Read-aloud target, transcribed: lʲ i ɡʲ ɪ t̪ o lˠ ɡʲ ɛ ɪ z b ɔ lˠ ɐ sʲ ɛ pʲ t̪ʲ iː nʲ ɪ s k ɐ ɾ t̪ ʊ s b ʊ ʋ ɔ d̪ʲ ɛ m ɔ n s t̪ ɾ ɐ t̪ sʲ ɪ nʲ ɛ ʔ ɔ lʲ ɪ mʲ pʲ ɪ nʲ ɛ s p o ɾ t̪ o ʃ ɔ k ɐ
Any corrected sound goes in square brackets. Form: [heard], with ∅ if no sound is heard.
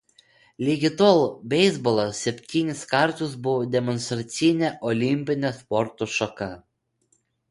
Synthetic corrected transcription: lʲ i ɡʲ ɪ t̪ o lˠ [bʲ] ɛ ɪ z b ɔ lˠ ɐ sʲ ɛ pʲ t̪ʲ iː nʲ ɪ s k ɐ ɾ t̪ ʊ s b ʊ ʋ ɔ d̪ʲ ɛ m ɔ n s t̪ ɾ ɐ t̪ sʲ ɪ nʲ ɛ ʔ ɔ lʲ ɪ mʲ pʲ ɪ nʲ ɛ s p [ɔ] ɾ t̪ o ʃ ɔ k ɐ

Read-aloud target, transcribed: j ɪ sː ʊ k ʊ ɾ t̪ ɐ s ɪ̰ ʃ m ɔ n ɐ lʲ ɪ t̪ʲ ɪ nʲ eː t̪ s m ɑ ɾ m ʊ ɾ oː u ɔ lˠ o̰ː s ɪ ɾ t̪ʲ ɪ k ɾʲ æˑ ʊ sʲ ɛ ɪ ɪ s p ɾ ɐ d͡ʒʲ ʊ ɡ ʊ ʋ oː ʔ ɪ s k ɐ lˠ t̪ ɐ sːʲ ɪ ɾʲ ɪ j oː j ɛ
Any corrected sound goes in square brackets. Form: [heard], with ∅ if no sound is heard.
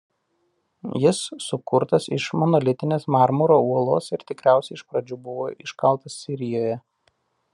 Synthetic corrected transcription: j ɪ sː ʊ k ʊ ɾ t̪ ɐ s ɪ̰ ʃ m ɔ n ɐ lʲ ɪ t̪ʲ ɪ nʲ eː [∅] s m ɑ ɾ m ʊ ɾ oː u ɔ lˠ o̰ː s ɪ ɾ t̪ʲ ɪ k ɾʲ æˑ ʊ sʲ ɛ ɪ ɪ [ʃ] p ɾ ɐ d͡ʒʲ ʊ [b] ʊ ʋ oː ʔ ɪ [ʃ] k ɐ lˠ t̪ ɐ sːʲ ɪ ɾʲ ɪ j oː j ɛ

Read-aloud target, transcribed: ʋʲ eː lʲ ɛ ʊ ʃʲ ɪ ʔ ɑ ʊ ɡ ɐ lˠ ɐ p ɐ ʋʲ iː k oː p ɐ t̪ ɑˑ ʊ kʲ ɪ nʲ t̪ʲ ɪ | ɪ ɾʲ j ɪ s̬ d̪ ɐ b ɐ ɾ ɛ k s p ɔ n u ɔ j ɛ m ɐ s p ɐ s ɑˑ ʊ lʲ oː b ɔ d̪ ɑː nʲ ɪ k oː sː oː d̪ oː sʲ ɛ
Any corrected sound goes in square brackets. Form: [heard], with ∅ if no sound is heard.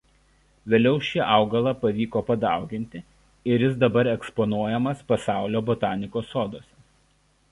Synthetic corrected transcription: ʋʲ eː lʲ ɛ ʊ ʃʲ ɪ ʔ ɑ ʊ ɡ ɐ lˠ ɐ p ɐ ʋʲ iː k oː p ɐ [d̪] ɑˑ ʊ [ɡʲ] ɪ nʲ t̪ʲ ɪ | ɪ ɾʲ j ɪ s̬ d̪ ɐ b ɐ ɾ ɛ k s p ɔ n u ɔ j ɛ m ɐ s p ɐ s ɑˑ ʊ lʲ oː b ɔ [t̪] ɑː nʲ ɪ k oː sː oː d̪ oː sʲ ɛ

